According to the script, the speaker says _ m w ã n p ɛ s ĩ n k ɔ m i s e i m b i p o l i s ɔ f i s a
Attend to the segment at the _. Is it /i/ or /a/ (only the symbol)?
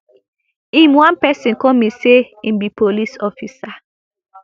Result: i